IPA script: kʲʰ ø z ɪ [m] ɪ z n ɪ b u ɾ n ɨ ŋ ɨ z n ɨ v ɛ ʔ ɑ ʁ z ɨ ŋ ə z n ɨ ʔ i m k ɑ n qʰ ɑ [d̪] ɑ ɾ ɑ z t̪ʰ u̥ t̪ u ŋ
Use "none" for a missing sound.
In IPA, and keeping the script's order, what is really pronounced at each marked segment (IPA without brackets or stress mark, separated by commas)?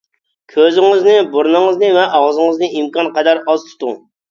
ŋ, d̪